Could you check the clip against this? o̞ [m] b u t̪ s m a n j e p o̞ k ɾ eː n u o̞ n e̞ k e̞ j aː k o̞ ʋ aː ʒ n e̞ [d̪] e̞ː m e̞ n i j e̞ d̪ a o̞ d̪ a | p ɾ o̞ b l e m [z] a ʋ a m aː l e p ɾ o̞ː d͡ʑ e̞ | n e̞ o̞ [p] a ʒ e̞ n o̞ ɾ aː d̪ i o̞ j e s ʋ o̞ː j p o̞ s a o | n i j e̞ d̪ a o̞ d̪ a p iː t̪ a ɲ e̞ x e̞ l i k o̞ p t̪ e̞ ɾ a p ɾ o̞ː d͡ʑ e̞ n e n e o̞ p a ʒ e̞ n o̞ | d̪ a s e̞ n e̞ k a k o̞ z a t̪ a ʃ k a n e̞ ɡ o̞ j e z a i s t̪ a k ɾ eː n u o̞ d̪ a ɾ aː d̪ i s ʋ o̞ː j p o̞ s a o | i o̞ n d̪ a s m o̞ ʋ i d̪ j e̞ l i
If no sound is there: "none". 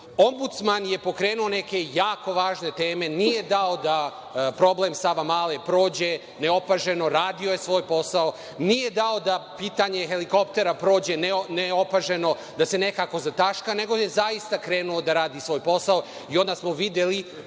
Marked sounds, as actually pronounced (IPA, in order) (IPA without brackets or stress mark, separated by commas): m, t̪, s, p